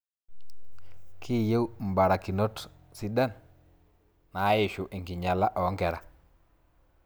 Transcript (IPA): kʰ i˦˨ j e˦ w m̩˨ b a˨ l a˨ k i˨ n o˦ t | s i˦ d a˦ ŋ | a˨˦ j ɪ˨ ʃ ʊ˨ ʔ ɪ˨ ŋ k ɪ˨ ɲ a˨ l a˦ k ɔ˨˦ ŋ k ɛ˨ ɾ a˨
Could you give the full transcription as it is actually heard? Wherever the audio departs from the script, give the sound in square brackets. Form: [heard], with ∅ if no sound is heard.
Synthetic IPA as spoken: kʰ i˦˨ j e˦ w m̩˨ b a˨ [ɾ] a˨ k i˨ n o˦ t | s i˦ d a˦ [n] | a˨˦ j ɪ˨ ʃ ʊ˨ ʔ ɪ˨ ŋ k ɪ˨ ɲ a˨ l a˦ [ʔ] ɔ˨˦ ŋ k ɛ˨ ɾ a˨